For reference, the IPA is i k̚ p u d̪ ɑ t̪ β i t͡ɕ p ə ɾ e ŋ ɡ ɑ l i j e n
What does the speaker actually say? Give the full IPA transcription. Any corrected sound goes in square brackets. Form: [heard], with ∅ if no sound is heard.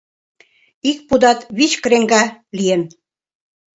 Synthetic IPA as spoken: i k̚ p u d̪ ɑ t̪ β i t͡ɕ [k] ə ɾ e ŋ ɡ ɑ l i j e n